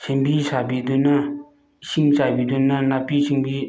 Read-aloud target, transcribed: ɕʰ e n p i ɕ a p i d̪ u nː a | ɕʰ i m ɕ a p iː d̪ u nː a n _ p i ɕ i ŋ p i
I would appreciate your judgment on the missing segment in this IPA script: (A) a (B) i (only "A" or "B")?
A